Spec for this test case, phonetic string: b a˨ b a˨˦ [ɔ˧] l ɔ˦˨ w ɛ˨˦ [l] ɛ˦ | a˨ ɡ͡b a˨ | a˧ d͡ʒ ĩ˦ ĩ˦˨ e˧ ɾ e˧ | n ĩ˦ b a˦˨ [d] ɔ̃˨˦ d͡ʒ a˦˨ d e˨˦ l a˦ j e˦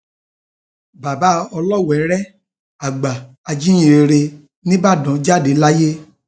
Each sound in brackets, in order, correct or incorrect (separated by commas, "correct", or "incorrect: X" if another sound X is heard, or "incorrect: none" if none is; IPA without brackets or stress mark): correct, incorrect: ɾ, correct